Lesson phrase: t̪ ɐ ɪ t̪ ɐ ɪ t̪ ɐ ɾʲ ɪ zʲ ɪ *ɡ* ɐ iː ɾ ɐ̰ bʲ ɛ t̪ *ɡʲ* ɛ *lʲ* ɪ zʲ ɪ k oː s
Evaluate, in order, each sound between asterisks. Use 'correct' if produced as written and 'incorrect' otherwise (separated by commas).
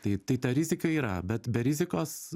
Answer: incorrect, incorrect, incorrect